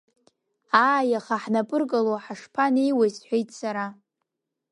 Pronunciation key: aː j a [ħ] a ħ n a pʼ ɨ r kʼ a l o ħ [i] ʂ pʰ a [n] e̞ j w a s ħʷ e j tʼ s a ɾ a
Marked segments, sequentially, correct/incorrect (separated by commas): incorrect, incorrect, correct